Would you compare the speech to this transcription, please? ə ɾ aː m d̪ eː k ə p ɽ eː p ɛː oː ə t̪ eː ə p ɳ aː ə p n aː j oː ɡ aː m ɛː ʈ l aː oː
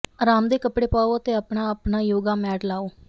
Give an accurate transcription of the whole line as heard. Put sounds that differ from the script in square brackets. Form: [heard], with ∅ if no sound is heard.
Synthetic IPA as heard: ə ɾ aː m d̪ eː k ə p ɽ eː p [aː] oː ə t̪ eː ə p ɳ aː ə p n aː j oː ɡ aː m ɛː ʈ l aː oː